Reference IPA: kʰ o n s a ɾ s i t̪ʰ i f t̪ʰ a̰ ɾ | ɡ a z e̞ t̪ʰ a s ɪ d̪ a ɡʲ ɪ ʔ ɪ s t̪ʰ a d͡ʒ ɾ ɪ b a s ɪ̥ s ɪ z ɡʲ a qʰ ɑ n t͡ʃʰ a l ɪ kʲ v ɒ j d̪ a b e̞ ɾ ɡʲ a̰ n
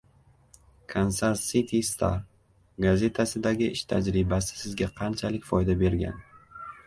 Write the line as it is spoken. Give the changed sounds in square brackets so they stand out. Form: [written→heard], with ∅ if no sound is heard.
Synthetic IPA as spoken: kʰ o n s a ɾ s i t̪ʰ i [f→s] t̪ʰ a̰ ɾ | ɡ a z e̞ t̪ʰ a s ɪ d̪ a ɡʲ ɪ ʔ ɪ [s→ʃ] t̪ʰ a d͡ʒ ɾ ɪ b a s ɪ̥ s ɪ z ɡʲ a qʰ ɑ n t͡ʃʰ a l ɪ kʲ [v→f] ɒ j d̪ a b e̞ ɾ ɡʲ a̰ n